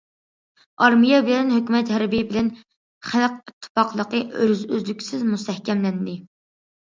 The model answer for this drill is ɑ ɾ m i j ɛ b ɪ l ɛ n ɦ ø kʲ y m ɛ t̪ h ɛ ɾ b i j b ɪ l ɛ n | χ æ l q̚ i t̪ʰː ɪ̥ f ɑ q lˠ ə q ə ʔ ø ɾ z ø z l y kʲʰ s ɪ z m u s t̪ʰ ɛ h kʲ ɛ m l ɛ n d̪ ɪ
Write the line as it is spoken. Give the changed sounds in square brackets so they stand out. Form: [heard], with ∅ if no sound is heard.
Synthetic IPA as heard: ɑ ɾ m i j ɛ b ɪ l ɛ n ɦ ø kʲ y m ɛ t̪ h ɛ ɾ b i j b ɪ l ɛ n | χ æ l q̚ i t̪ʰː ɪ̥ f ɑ q lˠ ə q ə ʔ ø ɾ z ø z l y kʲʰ s ɪ z m u s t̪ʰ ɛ h kʲ ɛ m l ɛ n d̪ ɪ